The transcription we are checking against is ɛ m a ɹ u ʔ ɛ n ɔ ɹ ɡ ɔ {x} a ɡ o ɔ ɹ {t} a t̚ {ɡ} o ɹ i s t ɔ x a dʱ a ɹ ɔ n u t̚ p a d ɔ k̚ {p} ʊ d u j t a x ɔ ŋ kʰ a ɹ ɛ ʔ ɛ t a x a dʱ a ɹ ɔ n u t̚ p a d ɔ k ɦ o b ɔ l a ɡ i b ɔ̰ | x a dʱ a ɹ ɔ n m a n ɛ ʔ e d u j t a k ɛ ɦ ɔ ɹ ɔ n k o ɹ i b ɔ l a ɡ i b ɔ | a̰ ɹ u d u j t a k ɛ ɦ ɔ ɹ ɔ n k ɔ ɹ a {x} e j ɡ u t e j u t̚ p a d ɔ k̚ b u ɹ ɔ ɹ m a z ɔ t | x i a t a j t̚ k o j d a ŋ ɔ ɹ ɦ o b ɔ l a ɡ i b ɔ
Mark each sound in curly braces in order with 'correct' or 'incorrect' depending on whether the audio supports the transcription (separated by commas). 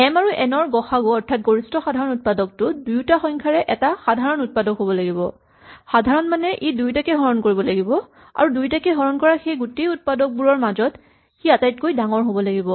correct, incorrect, correct, incorrect, correct